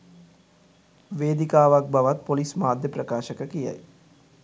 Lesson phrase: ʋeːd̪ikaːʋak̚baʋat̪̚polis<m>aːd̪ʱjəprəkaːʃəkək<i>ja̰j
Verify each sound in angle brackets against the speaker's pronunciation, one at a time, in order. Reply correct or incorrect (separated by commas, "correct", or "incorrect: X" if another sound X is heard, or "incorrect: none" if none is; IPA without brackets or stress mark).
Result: correct, correct